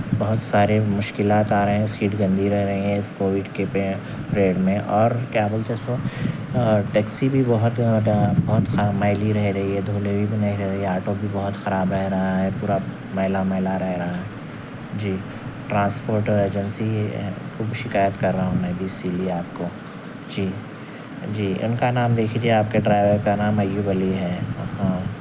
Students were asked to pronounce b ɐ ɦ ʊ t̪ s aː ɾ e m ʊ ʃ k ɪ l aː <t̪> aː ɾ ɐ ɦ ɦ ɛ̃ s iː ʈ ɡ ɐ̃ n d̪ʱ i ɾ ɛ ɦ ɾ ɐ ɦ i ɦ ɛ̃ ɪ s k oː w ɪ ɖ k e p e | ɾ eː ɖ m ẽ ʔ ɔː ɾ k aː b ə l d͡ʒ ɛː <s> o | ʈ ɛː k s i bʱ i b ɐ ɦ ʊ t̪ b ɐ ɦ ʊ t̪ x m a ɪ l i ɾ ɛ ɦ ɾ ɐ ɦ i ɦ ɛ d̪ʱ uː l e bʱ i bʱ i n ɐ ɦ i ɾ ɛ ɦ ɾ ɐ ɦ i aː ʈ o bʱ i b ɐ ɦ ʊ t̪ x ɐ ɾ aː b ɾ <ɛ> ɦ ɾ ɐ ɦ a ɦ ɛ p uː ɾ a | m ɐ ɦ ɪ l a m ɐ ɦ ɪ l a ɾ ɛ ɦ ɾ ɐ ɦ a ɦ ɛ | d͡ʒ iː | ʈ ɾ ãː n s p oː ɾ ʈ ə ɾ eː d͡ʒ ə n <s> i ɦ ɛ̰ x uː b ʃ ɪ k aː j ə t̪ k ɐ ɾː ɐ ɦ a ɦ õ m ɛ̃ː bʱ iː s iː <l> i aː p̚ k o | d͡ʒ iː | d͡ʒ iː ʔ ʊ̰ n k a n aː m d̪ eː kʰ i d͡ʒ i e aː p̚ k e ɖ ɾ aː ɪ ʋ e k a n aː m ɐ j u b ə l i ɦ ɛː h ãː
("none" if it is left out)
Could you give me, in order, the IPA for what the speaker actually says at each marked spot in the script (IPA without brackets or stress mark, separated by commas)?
t̪, s, ɛ, s, l